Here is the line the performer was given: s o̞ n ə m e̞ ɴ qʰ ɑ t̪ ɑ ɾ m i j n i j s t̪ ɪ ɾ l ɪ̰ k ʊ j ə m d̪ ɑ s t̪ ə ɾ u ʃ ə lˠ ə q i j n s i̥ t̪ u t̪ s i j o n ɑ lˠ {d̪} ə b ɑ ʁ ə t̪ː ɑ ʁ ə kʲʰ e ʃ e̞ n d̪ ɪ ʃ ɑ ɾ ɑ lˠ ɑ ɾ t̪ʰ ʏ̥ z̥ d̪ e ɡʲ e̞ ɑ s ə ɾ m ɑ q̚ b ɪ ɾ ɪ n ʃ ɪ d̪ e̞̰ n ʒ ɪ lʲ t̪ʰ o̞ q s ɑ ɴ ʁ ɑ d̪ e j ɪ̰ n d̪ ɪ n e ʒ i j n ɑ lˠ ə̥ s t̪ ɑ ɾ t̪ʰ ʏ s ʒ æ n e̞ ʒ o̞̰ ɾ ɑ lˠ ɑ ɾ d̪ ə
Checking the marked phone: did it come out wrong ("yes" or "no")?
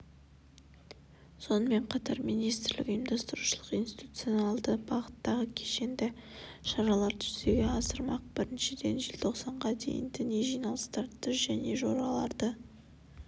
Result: no